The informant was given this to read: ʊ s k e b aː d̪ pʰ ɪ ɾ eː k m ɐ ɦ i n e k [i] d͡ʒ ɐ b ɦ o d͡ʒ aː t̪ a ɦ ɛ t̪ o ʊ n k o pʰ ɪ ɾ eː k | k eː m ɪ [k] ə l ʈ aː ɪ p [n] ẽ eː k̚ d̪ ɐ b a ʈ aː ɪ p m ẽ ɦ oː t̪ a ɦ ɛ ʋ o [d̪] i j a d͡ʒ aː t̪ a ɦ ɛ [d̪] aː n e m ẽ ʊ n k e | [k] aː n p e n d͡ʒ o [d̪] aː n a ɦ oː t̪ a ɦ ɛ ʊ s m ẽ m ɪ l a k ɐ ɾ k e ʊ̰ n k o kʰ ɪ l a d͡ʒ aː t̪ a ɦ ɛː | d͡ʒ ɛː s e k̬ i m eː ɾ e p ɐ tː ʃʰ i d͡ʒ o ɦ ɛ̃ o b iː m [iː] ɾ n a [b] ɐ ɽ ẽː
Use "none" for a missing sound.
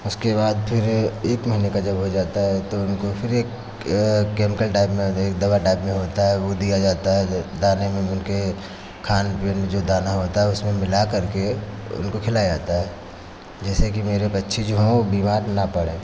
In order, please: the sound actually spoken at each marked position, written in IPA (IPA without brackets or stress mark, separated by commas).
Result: a, k, m, d̪, d̪, kʰ, d̪, aː, p